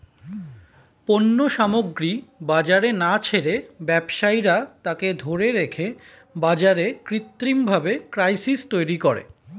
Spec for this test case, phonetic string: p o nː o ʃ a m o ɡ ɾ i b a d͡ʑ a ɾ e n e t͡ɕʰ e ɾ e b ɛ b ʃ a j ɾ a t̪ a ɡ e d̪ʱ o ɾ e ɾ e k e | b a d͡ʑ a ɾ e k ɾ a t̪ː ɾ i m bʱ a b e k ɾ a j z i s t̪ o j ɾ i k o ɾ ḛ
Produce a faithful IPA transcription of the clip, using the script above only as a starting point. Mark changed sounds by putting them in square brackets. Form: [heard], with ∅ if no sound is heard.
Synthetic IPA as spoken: p o nː o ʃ a m o ɡ ɾ i b a d͡ʑ a ɾ e n [a] t͡ɕʰ e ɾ e b ɛ b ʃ a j ɾ a t̪ a [k] e d̪ʱ o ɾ e ɾ e [kʰ] e | b a d͡ʑ a ɾ e k ɾ [i] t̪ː ɾ i m bʱ a b e k ɾ a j [s] i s t̪ o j ɾ i k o ɾ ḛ